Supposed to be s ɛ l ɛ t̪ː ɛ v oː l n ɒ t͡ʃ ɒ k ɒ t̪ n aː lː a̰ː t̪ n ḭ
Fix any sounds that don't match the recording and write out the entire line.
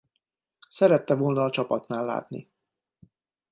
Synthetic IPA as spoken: s ɛ ɾ ɛ t̪ː ɛ v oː l n ɒː t͡ʃ ɒ p ɒ t̪ n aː lː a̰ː t̪ n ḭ